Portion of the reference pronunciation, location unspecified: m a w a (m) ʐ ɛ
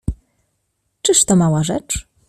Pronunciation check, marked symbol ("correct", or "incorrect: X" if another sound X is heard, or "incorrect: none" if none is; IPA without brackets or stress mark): incorrect: none